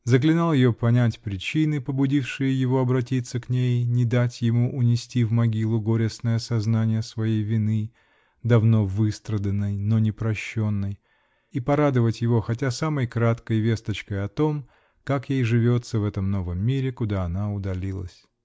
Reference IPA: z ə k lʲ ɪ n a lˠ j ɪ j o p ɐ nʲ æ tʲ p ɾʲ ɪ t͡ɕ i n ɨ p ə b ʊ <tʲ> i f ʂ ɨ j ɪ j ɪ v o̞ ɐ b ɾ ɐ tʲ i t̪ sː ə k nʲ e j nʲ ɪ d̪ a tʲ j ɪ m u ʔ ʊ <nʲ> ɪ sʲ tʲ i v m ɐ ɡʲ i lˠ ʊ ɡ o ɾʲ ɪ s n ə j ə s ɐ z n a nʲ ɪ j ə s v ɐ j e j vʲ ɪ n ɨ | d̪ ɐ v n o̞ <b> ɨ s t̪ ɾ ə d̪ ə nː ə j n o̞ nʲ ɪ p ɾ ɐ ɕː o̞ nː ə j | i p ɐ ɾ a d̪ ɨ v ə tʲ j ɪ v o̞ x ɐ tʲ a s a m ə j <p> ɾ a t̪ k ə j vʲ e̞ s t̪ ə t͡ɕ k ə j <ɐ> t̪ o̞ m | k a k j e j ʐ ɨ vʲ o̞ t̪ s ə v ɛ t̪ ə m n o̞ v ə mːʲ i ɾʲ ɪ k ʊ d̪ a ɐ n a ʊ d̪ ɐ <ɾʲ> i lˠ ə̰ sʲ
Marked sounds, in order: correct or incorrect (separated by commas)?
incorrect, correct, incorrect, incorrect, correct, incorrect